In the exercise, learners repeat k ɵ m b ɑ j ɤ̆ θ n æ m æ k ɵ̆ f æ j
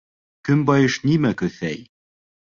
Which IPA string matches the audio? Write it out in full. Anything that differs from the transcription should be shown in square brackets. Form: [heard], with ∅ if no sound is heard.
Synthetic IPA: k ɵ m b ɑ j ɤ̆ [ʃ] n [i] m æ k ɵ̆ [θ] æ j